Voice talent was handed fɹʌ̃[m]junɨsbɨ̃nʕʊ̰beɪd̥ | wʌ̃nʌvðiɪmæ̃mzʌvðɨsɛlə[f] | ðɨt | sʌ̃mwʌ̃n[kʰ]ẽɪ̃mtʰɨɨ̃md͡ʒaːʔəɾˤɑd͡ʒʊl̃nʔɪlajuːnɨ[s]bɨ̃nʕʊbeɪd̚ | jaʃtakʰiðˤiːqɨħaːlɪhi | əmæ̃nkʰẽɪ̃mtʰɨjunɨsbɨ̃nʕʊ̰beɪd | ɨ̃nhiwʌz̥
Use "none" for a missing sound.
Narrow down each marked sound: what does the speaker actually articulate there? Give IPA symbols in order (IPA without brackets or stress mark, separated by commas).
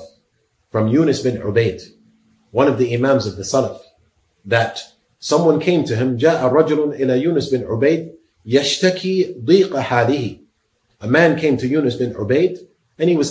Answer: m, f, kʰ, s